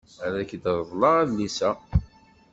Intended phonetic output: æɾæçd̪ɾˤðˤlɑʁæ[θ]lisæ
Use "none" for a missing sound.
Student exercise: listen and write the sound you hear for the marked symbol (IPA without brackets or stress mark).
ð